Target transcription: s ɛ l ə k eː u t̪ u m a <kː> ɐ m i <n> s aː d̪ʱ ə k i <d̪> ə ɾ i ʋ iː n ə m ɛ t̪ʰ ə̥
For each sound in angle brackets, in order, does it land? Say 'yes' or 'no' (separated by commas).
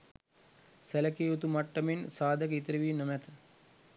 no, yes, no